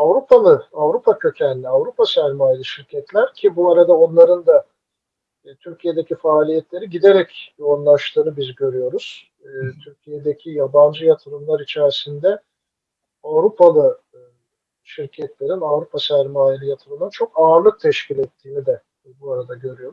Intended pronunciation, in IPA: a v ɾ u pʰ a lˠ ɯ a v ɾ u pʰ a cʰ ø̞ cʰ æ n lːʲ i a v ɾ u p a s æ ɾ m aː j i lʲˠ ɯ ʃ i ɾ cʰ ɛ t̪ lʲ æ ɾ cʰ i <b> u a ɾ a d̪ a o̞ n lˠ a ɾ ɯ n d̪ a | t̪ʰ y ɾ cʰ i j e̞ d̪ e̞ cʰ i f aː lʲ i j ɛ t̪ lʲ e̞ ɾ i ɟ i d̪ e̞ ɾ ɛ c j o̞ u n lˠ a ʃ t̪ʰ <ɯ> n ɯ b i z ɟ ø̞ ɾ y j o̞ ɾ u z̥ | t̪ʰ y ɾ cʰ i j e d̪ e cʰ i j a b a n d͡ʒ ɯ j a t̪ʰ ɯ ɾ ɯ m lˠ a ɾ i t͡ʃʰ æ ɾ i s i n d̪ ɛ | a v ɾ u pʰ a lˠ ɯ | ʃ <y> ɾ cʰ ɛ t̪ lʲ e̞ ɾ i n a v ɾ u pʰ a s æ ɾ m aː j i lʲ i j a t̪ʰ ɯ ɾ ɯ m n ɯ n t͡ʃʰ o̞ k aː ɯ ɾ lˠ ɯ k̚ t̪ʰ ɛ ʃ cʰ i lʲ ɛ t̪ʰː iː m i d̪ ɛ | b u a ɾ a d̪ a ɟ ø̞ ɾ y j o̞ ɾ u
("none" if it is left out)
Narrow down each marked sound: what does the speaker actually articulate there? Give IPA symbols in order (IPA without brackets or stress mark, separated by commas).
b, ɯː, i